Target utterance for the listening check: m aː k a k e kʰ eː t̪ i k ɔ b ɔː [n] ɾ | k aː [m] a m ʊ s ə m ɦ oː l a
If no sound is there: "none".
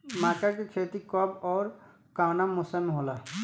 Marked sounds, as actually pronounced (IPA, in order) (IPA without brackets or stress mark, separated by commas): none, n